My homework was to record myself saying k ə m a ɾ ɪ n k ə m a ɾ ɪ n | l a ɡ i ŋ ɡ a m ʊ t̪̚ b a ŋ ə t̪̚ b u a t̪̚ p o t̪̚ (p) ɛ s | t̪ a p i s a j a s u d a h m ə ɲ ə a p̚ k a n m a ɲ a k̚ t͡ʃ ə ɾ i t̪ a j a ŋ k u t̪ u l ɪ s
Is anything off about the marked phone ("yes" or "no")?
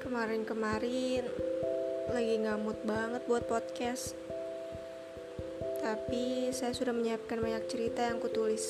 yes